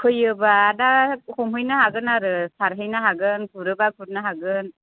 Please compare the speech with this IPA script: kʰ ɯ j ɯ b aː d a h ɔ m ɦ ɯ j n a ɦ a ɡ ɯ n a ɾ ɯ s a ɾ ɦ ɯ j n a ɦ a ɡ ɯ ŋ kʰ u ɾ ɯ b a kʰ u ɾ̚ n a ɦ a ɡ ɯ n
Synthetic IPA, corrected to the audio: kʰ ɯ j ɯ b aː d a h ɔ m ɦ ɯ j n a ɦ a ɡ ɯ n a ɾ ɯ s a ɾ ɦ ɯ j n a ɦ a ɡ ɯ n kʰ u ɾ ɯ b a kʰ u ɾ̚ n a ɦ a ɡ ɯ n